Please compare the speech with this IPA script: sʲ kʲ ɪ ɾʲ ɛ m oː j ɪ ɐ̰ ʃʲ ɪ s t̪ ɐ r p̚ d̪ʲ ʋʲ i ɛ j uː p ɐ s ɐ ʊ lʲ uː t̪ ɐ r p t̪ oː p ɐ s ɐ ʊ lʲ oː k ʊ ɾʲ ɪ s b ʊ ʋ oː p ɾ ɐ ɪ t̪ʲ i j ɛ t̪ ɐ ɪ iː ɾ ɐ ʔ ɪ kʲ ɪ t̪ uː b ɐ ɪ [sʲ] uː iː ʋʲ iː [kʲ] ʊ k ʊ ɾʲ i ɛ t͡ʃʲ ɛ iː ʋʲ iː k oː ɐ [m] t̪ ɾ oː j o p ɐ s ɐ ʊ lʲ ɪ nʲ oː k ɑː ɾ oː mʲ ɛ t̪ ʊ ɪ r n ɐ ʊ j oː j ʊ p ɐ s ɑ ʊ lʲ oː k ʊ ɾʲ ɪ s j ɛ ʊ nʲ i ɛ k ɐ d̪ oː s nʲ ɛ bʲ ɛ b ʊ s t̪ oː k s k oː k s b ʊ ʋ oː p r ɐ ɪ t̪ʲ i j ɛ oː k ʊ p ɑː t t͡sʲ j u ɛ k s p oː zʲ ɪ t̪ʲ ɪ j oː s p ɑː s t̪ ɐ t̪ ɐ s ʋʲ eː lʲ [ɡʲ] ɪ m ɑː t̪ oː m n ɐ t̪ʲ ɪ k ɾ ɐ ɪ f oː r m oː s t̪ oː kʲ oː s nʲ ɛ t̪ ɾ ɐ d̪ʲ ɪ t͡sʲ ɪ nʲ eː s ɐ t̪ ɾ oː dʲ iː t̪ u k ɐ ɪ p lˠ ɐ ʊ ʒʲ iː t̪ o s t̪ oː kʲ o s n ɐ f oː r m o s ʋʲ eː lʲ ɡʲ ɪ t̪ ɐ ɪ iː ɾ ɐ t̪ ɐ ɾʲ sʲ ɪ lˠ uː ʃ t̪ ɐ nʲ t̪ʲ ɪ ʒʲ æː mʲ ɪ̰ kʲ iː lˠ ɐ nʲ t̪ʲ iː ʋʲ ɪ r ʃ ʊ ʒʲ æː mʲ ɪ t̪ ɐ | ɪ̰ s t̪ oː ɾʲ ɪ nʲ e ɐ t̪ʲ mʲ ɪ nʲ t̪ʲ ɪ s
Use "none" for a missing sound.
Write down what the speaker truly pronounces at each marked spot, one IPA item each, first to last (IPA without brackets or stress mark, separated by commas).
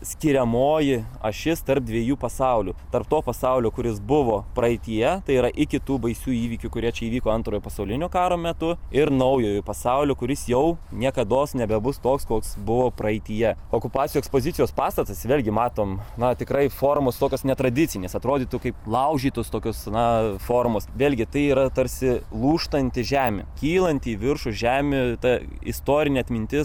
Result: sʲ, kʲ, n, ɡʲ